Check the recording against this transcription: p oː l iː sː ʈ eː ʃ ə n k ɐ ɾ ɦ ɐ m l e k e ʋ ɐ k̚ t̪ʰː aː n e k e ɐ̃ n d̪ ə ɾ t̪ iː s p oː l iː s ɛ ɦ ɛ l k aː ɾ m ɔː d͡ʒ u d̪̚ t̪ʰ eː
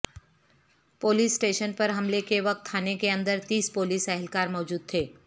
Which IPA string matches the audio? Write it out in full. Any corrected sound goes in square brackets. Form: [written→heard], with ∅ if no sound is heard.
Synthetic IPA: p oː l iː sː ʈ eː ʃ ə n [k→p] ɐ ɾ ɦ ɐ m l e k e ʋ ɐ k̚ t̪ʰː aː n e k e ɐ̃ n d̪ ə ɾ t̪ iː s p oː l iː s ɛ ɦ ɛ l k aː ɾ m ɔː d͡ʒ [u→uː] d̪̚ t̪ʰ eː